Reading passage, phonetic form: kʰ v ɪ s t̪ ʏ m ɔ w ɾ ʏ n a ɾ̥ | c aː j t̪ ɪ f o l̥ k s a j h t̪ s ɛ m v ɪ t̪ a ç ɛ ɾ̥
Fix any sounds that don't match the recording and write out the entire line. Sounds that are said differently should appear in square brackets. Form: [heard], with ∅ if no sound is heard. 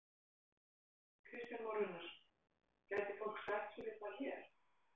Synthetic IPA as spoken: kʰ v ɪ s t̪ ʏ m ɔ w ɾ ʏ n a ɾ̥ | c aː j t̪ ɪ f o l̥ k s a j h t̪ s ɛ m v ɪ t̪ a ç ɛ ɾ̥